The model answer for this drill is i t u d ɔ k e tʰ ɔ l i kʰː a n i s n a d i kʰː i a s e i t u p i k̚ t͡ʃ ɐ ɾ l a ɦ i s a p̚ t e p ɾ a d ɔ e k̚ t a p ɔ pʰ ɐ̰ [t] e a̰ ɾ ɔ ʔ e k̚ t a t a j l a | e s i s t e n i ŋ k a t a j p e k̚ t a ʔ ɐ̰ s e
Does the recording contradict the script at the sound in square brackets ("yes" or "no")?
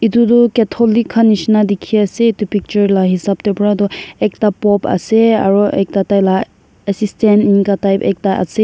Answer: yes